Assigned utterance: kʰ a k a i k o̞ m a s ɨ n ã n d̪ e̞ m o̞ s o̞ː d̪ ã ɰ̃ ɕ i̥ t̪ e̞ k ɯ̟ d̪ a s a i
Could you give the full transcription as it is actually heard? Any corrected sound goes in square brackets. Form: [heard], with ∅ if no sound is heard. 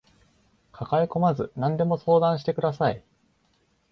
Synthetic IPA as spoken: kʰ a k a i k o̞ m a [z] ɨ n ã n d̪ e̞ m o̞ s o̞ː d̪ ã ɰ̃ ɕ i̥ t̪ e̞ k ɯ̟ d̪ a s a i